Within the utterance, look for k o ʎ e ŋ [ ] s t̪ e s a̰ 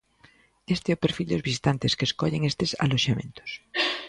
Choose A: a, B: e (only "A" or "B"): B